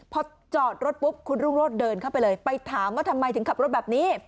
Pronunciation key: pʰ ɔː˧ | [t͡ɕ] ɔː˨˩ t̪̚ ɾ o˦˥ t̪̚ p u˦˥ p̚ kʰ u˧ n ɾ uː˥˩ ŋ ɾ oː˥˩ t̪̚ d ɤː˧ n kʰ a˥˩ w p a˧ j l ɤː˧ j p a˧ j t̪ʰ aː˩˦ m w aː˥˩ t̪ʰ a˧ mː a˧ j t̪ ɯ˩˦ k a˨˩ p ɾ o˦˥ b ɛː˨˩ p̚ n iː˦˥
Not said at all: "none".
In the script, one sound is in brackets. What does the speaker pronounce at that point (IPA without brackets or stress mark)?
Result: t͡ɕ